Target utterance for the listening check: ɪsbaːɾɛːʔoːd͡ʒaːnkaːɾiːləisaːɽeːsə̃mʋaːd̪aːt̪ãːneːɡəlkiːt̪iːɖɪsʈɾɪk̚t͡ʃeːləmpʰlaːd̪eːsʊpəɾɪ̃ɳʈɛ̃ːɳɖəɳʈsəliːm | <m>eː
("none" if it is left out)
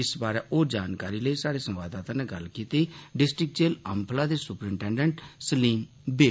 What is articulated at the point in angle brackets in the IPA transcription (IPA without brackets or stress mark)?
b